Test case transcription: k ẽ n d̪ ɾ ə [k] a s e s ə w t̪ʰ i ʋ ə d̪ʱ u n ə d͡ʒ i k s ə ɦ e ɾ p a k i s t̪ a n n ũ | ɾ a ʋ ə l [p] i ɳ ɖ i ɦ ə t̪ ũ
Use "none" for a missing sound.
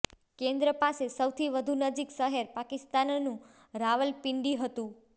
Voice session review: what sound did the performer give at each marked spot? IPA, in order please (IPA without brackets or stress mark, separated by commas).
p, p